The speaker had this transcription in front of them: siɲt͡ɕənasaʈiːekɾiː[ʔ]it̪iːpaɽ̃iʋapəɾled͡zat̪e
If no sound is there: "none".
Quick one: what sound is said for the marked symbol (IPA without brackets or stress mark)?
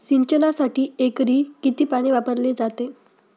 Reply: k